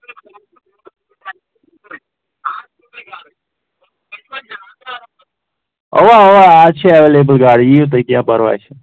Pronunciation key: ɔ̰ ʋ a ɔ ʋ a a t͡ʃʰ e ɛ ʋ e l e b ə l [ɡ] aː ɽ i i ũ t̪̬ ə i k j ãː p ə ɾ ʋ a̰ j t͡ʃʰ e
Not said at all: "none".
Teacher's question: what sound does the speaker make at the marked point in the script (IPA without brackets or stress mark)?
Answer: ɡ